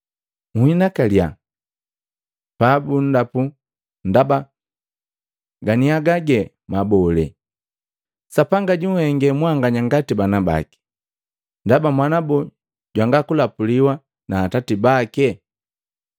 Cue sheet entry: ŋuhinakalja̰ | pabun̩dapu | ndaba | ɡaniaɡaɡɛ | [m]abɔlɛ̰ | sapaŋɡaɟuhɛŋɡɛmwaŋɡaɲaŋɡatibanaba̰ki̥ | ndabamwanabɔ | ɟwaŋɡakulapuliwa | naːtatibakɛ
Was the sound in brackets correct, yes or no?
yes